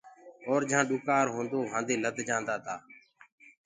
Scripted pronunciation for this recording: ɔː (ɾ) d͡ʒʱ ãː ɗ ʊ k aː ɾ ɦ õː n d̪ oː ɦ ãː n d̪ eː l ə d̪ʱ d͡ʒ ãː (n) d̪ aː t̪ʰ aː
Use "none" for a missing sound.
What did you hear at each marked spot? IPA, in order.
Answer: ɾ, n

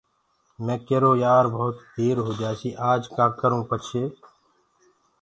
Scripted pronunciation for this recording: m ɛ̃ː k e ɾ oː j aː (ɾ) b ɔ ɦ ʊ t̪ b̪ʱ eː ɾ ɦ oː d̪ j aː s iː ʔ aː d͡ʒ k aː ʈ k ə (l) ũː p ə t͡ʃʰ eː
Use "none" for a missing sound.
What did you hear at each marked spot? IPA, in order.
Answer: ɾ, ɾ

